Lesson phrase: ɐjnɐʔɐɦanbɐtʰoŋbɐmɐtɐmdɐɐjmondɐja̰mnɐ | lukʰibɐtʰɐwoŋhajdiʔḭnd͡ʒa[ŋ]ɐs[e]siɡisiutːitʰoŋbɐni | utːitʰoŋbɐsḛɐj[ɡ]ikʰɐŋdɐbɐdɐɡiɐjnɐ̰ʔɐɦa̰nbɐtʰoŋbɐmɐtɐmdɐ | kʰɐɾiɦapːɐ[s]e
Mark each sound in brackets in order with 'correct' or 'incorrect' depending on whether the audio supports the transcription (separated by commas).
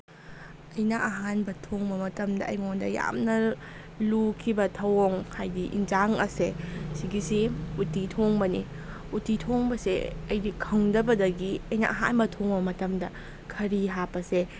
correct, correct, incorrect, correct